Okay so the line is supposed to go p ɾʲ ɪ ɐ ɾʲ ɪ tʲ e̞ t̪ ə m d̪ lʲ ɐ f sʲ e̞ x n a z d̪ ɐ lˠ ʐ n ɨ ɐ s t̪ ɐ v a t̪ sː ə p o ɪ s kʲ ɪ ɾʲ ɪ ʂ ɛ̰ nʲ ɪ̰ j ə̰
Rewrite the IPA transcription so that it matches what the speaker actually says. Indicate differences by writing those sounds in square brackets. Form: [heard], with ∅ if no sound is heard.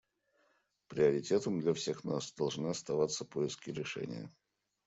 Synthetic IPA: p ɾʲ ɪ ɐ ɾʲ ɪ tʲ e̞ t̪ ə m d̪ lʲ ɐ f sʲ e̞ x n a [s] d̪ ɐ lˠ ʐ n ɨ ɐ s t̪ ɐ v a t̪ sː ə p o ɪ s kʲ ɪ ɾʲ ɪ ʂ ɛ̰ nʲ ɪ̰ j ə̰

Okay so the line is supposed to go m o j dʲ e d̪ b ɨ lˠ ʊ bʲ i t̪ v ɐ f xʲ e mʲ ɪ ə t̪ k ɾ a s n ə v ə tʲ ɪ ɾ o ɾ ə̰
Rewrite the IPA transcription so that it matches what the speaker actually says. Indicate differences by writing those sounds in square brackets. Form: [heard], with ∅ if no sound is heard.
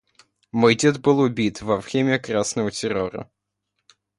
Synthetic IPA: m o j dʲ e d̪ b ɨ lˠ ʊ bʲ i t̪ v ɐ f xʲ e mʲ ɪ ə [∅] k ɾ a s n ə v ə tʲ ɪ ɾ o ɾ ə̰

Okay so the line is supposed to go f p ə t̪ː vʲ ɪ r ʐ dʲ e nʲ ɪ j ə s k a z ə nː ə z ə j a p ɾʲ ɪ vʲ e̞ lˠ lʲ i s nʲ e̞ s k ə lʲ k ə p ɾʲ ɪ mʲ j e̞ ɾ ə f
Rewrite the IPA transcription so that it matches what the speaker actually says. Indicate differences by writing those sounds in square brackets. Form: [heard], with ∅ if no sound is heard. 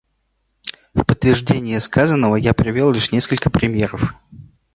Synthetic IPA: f p ə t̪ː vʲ ɪ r ʐ dʲ e nʲ ɪ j ə s k a z ə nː ə [v] ə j a p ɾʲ ɪ vʲ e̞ lˠ lʲ i [ʂ] nʲ e̞ s k ə lʲ k ə p ɾʲ ɪ mʲ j e̞ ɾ ə f

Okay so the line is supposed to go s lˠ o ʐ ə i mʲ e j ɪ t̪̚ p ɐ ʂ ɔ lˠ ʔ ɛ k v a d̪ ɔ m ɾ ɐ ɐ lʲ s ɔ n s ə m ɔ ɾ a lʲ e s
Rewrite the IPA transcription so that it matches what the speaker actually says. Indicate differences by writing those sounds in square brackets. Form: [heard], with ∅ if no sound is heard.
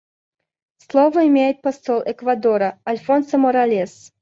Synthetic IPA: s lˠ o [v] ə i mʲ e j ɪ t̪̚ p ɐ [s] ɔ lˠ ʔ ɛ k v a d̪ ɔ [∅] ɾ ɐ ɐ lʲ [f] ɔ n s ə m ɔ ɾ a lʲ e s

